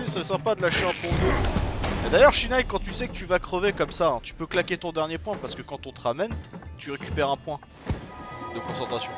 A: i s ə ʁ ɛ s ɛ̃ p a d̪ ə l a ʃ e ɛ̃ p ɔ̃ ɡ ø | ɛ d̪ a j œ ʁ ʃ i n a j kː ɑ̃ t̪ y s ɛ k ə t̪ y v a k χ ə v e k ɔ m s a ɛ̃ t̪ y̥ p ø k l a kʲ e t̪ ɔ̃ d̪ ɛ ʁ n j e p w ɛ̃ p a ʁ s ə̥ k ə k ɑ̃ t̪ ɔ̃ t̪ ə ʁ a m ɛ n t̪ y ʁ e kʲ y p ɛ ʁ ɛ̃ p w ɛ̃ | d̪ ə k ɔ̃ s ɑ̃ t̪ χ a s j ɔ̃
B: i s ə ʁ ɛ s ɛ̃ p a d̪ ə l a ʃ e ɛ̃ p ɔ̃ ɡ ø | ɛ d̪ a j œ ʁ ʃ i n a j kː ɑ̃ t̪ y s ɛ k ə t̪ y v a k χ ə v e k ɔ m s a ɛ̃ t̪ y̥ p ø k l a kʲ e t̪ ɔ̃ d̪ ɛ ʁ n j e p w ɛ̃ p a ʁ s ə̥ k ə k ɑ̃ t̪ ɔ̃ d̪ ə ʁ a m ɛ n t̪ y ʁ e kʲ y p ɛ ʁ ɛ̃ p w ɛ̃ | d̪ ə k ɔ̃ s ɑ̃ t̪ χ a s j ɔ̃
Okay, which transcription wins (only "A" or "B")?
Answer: A